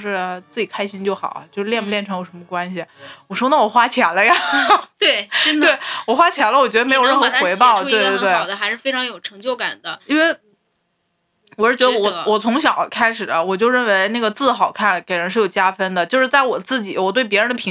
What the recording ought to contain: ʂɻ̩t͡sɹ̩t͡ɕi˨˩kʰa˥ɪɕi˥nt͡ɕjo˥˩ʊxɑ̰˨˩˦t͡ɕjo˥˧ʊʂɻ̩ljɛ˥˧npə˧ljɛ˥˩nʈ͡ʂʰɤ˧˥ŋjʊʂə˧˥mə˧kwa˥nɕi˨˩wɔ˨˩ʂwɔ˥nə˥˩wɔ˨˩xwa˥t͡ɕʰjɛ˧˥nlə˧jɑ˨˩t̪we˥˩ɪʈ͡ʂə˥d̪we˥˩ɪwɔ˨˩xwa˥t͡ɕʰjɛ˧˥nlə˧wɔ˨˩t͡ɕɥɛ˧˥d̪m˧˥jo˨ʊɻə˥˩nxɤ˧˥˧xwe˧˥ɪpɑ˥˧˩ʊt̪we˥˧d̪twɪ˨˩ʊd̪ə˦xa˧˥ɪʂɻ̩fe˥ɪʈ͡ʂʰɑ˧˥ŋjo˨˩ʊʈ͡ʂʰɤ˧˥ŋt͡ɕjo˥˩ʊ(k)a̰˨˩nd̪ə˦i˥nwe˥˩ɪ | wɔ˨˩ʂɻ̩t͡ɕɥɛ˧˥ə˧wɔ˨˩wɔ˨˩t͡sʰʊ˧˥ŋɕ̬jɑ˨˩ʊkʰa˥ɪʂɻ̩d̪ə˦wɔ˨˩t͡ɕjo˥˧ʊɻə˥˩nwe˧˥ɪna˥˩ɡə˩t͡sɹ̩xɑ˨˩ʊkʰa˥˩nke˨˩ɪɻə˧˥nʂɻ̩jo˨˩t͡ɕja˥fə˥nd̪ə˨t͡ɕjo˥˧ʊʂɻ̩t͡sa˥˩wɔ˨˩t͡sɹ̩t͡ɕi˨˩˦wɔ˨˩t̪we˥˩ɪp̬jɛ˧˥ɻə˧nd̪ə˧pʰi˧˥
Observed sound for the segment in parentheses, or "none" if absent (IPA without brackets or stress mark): k